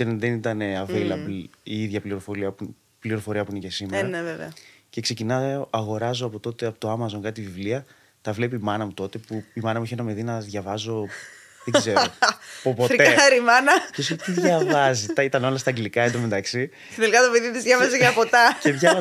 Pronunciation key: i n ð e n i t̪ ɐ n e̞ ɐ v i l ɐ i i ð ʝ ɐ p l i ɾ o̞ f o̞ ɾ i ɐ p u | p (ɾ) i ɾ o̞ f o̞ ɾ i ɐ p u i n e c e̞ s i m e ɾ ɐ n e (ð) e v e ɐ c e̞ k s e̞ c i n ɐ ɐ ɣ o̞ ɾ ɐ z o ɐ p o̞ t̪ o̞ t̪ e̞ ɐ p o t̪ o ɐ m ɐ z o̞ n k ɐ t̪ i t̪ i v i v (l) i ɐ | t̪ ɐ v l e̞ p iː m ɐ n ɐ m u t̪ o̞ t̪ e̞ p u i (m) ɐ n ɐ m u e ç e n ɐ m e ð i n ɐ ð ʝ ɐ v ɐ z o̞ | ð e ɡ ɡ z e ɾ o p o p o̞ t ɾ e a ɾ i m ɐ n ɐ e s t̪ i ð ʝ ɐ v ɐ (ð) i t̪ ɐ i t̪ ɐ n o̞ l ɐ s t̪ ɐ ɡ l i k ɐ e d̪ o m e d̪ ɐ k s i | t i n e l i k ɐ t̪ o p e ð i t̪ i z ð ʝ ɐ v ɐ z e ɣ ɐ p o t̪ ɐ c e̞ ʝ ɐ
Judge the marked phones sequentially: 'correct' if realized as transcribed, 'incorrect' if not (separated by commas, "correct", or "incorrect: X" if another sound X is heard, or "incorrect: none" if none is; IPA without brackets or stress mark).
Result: incorrect: l, incorrect: v, correct, correct, incorrect: z